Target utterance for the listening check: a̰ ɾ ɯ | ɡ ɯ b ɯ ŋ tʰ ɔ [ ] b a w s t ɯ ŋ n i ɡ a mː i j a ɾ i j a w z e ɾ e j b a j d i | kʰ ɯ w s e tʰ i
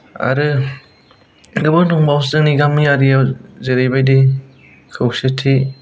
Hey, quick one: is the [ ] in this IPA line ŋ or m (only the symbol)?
ŋ